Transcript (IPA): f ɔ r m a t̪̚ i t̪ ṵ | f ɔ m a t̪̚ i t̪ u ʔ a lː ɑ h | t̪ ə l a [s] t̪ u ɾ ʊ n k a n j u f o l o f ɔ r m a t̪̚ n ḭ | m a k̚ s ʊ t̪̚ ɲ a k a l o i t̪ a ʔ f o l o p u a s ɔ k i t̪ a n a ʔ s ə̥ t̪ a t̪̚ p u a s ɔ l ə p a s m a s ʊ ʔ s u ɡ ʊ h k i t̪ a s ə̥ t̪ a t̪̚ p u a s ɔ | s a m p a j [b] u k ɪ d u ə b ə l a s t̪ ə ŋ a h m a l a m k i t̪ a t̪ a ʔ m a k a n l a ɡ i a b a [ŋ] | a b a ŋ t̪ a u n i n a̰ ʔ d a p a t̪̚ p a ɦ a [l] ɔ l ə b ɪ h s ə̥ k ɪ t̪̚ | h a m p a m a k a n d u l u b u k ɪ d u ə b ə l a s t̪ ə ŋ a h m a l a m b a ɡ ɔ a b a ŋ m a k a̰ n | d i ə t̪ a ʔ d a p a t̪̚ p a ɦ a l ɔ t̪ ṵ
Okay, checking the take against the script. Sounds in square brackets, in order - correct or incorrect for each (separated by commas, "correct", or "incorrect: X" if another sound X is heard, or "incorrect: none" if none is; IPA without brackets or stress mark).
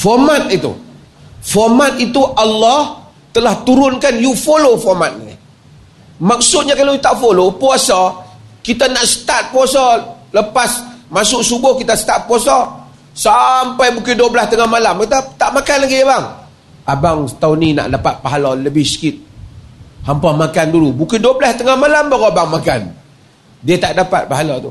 incorrect: h, correct, correct, correct